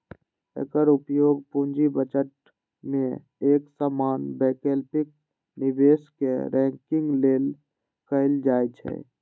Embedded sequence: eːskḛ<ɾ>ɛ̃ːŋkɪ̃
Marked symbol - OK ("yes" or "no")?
yes